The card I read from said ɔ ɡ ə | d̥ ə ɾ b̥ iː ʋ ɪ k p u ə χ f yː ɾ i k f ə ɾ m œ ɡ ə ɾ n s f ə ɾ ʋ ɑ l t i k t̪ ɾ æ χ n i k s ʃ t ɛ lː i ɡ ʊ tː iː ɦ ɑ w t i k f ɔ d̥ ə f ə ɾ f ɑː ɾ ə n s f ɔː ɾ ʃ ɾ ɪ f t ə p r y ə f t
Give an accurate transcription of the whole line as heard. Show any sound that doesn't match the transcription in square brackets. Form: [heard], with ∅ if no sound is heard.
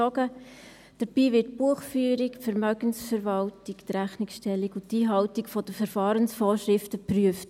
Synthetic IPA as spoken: ɔ ɡ ə | d̥ ə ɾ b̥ iː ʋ ɪ [t] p u ə χ f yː ɾ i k f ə ɾ m œ ɡ ə [∅] n s f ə ɾ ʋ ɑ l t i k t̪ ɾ æ χ n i k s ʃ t ɛ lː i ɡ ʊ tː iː ɦ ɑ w t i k f ɔ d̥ ə f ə ɾ f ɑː ɾ ə n s f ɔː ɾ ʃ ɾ ɪ f t ə p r y ə f t